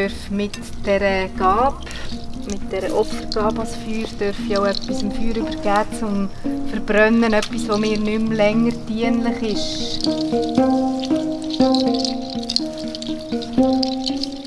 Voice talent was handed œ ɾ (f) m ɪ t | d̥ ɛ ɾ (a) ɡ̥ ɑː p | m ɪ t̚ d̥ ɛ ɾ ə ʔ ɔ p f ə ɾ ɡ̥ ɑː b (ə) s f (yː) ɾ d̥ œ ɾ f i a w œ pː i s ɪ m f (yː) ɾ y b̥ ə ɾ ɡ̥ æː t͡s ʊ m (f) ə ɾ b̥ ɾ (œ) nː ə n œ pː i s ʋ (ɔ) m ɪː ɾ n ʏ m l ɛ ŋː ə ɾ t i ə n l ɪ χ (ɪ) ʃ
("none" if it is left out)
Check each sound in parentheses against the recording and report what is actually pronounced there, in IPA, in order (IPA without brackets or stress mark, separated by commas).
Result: f, ə, ɑ, yː, yː, f, œ, o, ɪ